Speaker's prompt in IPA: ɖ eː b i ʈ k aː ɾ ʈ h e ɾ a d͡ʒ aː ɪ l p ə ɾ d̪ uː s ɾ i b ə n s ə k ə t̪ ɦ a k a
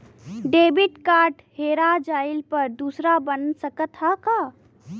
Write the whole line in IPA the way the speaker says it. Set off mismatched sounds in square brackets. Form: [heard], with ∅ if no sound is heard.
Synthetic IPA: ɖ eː b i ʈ k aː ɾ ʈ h e ɾ a d͡ʒ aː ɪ l p ə ɾ d̪ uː s ɾ [a] b ə n s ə k ə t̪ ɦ a k a